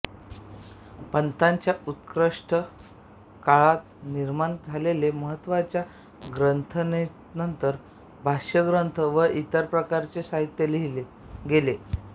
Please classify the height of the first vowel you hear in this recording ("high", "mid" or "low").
mid